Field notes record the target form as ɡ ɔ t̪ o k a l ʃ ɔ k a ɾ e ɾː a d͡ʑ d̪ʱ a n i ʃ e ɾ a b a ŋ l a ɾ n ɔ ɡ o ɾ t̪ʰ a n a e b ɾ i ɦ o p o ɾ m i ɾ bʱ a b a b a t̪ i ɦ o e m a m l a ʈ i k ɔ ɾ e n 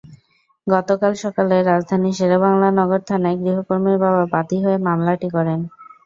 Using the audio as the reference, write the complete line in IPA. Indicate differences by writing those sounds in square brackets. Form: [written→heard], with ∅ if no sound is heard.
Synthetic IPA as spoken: ɡ ɔ t̪ o k a l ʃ ɔ k a [ɾ→l] e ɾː a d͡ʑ d̪ʱ a n i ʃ e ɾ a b a ŋ l a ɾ n ɔ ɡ o ɾ t̪ʰ a n a e [b→ɡ] ɾ i ɦ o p o ɾ m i ɾ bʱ a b a b a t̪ i ɦ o e m a m l a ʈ i k ɔ ɾ e n